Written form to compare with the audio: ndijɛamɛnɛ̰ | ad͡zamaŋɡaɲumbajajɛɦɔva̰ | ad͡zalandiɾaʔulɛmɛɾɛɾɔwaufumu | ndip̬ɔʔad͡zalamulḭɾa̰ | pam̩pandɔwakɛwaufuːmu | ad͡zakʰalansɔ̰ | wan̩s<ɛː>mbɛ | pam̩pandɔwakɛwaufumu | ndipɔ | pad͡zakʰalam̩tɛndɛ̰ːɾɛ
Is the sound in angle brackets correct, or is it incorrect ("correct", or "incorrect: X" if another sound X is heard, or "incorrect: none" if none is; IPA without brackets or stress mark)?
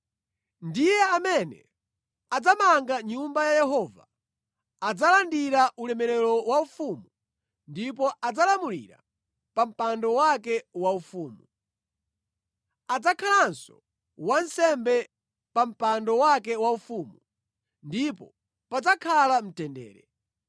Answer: incorrect: ɛ